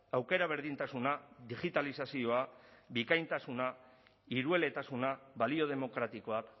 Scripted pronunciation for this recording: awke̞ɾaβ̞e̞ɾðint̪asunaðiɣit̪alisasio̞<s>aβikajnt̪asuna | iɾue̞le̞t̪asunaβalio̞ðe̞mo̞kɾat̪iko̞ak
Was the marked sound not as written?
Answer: yes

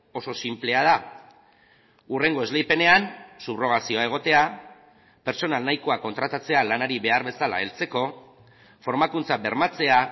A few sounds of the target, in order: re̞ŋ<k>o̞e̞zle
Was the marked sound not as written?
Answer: yes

